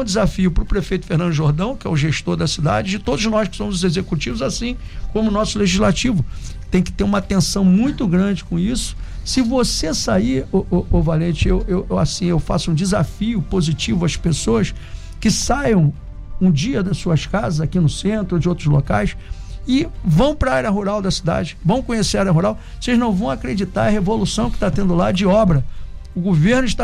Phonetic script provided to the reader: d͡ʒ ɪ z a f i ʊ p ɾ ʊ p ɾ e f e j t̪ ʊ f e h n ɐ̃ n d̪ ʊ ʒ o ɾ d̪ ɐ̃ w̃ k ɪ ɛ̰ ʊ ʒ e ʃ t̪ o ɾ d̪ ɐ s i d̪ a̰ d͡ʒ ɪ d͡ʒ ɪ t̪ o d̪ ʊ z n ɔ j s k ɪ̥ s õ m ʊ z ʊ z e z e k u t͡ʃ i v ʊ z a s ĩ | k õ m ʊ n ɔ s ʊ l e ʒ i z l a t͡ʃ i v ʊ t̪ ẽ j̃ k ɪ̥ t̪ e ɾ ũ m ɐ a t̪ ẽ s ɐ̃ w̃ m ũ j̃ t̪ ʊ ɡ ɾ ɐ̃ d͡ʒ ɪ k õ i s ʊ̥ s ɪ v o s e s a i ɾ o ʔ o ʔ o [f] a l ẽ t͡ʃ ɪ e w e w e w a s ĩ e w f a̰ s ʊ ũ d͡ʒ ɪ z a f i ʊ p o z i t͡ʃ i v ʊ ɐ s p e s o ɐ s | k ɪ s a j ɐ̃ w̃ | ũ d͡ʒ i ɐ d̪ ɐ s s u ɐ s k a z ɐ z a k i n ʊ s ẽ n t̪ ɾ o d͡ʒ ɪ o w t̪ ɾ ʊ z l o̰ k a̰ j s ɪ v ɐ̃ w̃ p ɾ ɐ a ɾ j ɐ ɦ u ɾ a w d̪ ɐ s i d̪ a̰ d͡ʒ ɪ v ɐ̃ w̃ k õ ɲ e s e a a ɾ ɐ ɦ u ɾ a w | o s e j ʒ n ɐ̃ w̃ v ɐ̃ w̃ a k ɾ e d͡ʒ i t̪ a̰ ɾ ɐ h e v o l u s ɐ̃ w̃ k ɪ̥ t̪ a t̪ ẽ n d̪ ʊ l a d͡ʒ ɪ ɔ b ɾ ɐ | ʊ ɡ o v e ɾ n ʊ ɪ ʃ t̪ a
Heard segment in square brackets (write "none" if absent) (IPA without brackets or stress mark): v